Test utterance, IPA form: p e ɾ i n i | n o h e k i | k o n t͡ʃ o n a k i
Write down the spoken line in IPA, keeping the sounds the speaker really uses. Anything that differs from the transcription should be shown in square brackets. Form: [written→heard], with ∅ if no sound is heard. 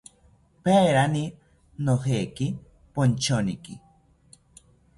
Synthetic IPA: p e ɾ [i→a] n i | n o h e k i | [k→p] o n t͡ʃ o n [a→i] k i